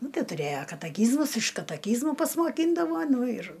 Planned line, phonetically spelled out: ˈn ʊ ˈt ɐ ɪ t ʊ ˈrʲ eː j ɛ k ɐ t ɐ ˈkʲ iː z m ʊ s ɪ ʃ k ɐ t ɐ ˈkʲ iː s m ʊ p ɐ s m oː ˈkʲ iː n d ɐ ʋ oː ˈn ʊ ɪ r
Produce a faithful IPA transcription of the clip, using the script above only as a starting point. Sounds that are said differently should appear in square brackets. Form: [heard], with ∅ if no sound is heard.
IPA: ˈn ʊ ˈt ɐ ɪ t ʊ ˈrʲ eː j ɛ k ɐ t ɐ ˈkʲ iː z m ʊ s ɪ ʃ k ɐ t ɐ ˈkʲ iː [z] m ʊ p ɐ s m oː ˈkʲ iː n d ɐ ʋ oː ˈn ʊ ɪ r